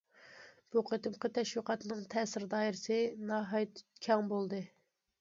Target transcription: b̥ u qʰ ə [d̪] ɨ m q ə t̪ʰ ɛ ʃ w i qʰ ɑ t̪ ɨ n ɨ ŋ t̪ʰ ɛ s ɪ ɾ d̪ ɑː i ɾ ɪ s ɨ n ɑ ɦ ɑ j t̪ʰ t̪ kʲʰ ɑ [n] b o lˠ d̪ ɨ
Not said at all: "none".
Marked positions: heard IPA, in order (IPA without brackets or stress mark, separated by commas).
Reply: t̪, ŋ